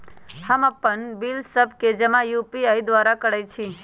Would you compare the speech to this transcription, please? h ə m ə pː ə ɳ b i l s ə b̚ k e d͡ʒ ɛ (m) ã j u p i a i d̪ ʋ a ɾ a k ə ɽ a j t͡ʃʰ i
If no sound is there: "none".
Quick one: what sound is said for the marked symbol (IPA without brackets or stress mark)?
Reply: m